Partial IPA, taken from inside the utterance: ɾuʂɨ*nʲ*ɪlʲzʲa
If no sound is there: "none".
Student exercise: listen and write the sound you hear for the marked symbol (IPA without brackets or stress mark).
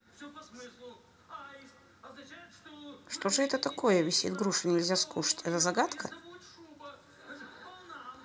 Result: nʲ